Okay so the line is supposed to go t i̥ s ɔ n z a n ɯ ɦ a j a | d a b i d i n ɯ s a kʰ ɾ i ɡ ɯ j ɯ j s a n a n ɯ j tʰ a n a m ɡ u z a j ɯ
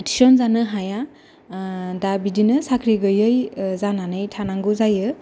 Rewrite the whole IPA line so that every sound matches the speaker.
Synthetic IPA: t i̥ s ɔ n z a n ɯ ɦ a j a | d a b i d i n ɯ s a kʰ ɾ i ɡ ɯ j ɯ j z a n a n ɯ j tʰ a n a ŋ ɡ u z a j ɯ